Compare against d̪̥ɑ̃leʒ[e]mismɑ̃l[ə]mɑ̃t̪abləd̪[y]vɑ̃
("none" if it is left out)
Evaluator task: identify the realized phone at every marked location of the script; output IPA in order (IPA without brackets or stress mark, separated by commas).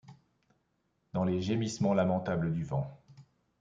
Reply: e, a, y